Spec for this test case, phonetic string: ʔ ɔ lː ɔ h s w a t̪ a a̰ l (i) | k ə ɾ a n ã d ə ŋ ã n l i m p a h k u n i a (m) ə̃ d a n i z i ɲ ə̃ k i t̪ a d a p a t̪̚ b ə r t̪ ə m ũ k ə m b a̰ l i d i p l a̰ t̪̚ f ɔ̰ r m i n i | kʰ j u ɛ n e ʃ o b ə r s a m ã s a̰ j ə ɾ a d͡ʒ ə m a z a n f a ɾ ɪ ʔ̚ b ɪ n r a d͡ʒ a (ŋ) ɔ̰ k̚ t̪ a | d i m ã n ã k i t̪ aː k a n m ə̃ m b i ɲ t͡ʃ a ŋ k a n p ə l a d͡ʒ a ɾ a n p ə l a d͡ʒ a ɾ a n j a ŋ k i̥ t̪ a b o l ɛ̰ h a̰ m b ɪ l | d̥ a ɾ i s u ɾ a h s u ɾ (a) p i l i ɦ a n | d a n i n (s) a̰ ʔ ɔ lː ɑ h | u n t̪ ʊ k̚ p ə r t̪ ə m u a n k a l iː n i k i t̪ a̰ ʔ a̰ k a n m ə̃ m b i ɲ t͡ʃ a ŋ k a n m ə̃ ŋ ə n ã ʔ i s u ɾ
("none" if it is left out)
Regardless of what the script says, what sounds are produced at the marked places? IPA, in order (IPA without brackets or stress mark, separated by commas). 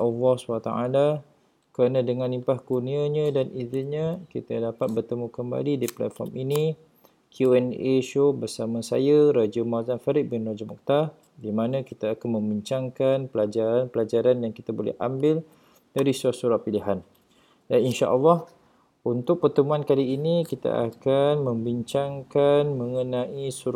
a, ɲ, m, a, ʃ